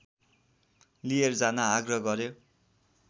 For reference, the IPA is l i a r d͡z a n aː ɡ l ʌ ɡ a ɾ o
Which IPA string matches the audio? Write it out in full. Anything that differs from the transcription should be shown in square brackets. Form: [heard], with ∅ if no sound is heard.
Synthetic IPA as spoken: l i [e] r d͡z a n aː ɡ [r] ʌ ɡ [ʌ] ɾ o